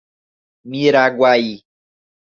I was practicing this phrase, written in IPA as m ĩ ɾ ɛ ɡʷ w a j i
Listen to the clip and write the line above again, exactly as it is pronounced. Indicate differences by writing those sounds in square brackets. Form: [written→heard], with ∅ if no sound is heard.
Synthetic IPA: m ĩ ɾ [ɛ→a] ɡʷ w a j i